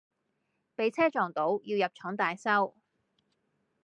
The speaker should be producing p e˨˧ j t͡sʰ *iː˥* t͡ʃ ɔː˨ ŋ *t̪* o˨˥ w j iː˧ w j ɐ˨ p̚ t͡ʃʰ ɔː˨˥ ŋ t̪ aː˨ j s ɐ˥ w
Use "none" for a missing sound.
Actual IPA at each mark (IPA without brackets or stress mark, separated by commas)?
ɛː˥, t̪